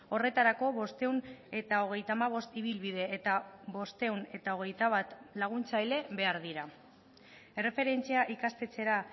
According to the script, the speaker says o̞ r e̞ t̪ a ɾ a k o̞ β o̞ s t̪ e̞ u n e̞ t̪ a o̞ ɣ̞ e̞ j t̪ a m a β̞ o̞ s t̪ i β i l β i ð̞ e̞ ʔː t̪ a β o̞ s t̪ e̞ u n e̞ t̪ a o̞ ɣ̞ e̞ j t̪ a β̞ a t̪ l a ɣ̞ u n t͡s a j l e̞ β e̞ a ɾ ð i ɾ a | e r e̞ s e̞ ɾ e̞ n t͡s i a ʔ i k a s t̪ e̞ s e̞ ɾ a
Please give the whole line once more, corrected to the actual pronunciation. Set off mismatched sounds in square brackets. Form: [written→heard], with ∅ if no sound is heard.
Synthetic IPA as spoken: o̞ r e̞ t̪ a ɾ a k o̞ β o̞ s t̪ e̞ u n e̞ t̪ a o̞ ɣ̞ e̞ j t̪ a m a β̞ o̞ s t̪ i β i l β i ð̞ e̞ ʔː t̪ a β o̞ s t̪ e̞ u n e̞ t̪ a o̞ ɣ̞ e̞ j t̪ a β̞ a t̪ l a ɣ̞ u n t͡s a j l e̞ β e̞ a ɾ ð i ɾ a | e r e̞ [s→f] e̞ ɾ e̞ n t͡s i a ʔ i k a s t̪ e̞ [s→t͡s] e̞ ɾ a

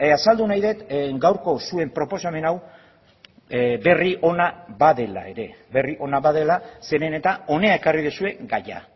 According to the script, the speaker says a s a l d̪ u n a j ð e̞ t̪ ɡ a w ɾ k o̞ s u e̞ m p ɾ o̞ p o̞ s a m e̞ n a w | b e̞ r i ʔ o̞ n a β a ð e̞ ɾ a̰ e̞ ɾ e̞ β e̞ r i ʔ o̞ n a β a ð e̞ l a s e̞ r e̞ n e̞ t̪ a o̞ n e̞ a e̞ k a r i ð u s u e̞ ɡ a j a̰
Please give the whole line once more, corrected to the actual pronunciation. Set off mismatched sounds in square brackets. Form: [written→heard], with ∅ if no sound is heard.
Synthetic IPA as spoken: a s a l d̪ u n a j ð e̞ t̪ ɡ a w ɾ k o̞ s u e̞ m p ɾ o̞ p o̞ s a m e̞ n a w | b e̞ r i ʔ o̞ n a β a ð e̞ [ɾ→l] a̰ e̞ ɾ e̞ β e̞ r i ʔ o̞ n a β a ð e̞ l a s e̞ [r→ɾ] e̞ n e̞ t̪ a o̞ n e̞ a e̞ k a r i ð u s u e̞ ɡ a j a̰

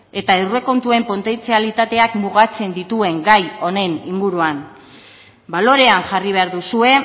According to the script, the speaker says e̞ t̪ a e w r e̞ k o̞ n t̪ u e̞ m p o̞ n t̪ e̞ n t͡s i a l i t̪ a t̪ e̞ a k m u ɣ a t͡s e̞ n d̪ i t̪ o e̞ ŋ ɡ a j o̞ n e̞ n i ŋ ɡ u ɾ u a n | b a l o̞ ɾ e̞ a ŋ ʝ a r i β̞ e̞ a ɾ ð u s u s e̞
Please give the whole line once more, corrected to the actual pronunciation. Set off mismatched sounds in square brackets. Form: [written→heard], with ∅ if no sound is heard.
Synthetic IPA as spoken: e̞ t̪ a e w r e̞ k o̞ n t̪ u e̞ m p o̞ n t̪ e̞ n t͡s i a l i t̪ a t̪ e̞ a k m u ɣ a t͡s e̞ n d̪ i t̪ [o→u] e̞ ŋ ɡ a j o̞ n e̞ n i ŋ ɡ u ɾ u a n | b a l o̞ ɾ e̞ a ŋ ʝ a r i β̞ e̞ a ɾ ð u s u [s→∅] e̞

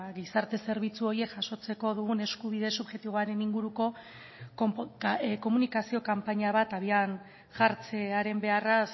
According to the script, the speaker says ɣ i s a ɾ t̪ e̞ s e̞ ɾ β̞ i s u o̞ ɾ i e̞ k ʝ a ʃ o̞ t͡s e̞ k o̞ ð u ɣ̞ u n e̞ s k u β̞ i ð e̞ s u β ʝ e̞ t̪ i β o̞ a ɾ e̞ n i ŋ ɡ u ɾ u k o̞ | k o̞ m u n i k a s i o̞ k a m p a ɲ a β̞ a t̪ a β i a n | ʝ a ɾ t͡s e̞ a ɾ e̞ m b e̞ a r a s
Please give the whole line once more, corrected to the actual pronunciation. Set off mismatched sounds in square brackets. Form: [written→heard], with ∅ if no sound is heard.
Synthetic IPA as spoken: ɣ i s a ɾ t̪ e̞ s e̞ ɾ β̞ i [s→t͡s] u o̞ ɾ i e̞ k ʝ a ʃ o̞ t͡s e̞ k o̞ ð u ɣ̞ u n e̞ s k u β̞ i ð e̞ s u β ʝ e̞ t̪ i β o̞ a ɾ e̞ n i ŋ ɡ u ɾ u k o̞ | k o̞ m u n i k a s i o̞ k a m p a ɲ a β̞ a t̪ a β i a n | ʝ a ɾ t͡s e̞ a ɾ e̞ m b e̞ a r a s

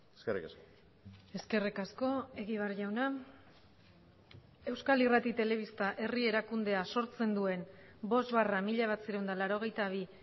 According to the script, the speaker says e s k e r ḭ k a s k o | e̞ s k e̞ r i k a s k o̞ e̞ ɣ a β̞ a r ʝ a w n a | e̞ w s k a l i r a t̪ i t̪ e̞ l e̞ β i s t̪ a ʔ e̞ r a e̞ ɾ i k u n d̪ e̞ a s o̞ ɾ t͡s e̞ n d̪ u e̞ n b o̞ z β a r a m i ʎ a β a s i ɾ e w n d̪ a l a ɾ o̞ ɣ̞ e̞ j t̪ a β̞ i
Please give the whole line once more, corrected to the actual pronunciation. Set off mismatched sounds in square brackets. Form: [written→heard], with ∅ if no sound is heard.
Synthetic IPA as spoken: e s k e r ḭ k a s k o | e̞ s k e̞ r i k a s k o̞ e̞ ɣ [a→i] β̞ a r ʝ a w n a | e̞ w s k a l i r a t̪ i t̪ e̞ l e̞ β i s t̪ a ʔ e̞ r [a→i] e̞ ɾ [i→a] k u n d̪ e̞ a s o̞ ɾ t͡s e̞ n d̪ u e̞ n b o̞ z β a r a m i ʎ a β a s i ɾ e w n d̪ a l a ɾ o̞ ɣ̞ e̞ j t̪ a β̞ i

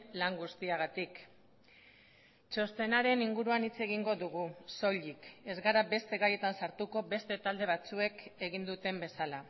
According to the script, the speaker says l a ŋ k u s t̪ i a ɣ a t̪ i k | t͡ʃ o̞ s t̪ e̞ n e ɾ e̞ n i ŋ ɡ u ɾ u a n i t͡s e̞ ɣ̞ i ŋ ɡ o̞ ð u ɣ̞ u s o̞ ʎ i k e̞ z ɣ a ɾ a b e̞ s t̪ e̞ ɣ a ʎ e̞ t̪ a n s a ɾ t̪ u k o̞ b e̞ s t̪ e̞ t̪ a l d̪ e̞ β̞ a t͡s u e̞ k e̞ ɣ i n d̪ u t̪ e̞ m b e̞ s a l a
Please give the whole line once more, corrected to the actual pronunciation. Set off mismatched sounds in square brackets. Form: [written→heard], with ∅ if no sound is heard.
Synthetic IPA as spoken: l a ŋ [k→ɡ] u s t̪ i a ɣ a t̪ i k | t͡ʃ o̞ s t̪ e̞ n [e→a] ɾ e̞ n i ŋ ɡ u ɾ u a n i t͡s e̞ ɣ̞ i ŋ ɡ o̞ ð u ɣ̞ u s o̞ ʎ i k e̞ z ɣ a ɾ a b e̞ s t̪ e̞ ɣ a [ʎ→j] e̞ t̪ a n s a ɾ t̪ u k o̞ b e̞ s t̪ e̞ t̪ a l d̪ e̞ β̞ a t͡s u e̞ k e̞ ɣ i n d̪ u t̪ e̞ m b e̞ s a l a

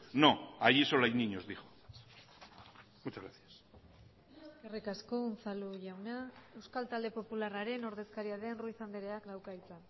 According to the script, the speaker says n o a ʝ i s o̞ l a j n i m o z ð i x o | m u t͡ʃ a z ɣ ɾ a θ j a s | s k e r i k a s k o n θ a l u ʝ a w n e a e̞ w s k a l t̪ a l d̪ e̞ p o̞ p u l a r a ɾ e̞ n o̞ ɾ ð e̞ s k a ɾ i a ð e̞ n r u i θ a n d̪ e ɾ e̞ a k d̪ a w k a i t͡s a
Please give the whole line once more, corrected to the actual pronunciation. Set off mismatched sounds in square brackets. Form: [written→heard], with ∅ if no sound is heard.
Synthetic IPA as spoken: n o a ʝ i s o̞ l a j n i [m→ɲ] o z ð i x o | m u t͡ʃ a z ɣ ɾ a θ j a s | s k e r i k a s k o n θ a l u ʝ a w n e a e̞ w s k a l t̪ a l d̪ e̞ p o̞ p u l a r a ɾ e̞ n o̞ ɾ ð e̞ s k a ɾ i a ð e̞ n r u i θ a n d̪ e ɾ e̞ a k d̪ a w k a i t͡s a

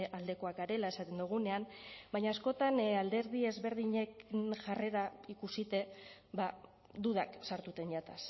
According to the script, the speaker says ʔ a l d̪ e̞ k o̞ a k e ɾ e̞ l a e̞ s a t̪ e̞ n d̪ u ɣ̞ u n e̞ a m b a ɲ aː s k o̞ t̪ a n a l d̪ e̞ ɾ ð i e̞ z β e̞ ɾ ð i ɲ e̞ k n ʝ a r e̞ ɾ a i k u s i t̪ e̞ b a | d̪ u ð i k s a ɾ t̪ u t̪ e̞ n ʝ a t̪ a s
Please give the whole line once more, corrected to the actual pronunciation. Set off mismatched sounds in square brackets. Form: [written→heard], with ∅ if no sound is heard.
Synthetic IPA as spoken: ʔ a l d̪ e̞ k o̞ a k [e→a] ɾ e̞ l a e̞ s a t̪ e̞ n d̪ u ɣ̞ u n e̞ a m b a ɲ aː s k o̞ t̪ a n a l d̪ e̞ ɾ ð i e̞ z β e̞ ɾ ð i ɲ e̞ k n ʝ a r e̞ ɾ a i k u s i t̪ e̞ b a | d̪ u ð [i→a] k s a ɾ t̪ u t̪ e̞ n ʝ a t̪ a s

